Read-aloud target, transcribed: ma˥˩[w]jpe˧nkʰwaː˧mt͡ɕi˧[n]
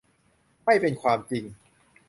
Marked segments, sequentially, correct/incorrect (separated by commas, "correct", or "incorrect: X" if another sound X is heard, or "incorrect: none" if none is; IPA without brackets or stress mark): incorrect: none, incorrect: ŋ